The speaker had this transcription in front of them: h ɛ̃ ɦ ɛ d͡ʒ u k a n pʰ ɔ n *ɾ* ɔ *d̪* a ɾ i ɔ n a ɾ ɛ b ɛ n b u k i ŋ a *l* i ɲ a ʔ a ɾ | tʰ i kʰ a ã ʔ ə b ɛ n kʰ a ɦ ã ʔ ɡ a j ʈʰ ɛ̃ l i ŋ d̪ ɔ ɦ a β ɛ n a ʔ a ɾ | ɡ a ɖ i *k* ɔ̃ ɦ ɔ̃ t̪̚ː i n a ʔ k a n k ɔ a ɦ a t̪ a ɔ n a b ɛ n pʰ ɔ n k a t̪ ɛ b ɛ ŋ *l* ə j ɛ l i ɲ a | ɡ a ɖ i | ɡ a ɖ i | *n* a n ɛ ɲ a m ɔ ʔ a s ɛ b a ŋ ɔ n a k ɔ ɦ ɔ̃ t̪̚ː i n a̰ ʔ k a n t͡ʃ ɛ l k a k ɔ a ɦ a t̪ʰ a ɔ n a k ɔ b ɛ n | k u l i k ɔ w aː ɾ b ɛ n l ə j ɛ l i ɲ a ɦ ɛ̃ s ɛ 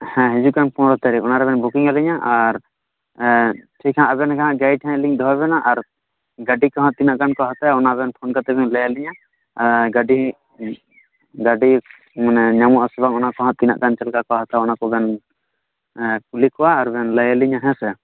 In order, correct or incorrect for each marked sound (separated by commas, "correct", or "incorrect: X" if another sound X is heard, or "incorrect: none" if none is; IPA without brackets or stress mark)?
correct, incorrect: t̪, correct, correct, correct, incorrect: m